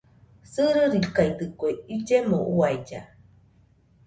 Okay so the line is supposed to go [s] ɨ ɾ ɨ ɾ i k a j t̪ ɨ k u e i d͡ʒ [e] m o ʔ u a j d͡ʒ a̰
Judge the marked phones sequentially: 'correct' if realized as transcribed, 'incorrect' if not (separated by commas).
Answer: correct, correct